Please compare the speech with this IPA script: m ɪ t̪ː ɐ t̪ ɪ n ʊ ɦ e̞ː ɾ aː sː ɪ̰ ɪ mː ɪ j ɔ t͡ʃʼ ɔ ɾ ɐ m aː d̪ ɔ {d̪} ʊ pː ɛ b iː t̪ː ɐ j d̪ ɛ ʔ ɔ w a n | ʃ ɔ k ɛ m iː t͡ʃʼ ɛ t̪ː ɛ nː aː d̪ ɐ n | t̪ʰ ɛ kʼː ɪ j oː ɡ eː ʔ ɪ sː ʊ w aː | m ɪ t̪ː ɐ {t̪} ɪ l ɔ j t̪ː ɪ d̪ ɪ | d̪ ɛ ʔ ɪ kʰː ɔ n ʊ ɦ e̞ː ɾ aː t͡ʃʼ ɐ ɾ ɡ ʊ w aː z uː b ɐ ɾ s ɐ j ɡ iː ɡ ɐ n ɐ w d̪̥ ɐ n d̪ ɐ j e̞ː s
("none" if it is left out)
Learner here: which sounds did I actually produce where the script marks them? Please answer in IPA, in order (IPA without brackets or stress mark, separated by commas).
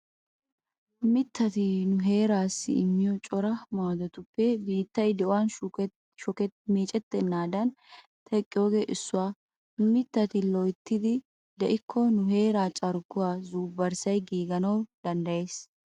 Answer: t̪, t̪